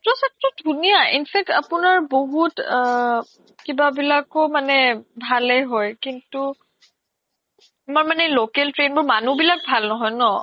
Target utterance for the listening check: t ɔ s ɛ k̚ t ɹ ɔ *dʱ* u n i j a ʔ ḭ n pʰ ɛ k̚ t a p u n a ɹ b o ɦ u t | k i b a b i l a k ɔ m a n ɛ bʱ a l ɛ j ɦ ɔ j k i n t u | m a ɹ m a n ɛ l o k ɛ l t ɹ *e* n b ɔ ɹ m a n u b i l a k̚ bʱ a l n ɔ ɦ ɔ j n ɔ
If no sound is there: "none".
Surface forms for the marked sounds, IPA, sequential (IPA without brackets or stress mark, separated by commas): dʱ, e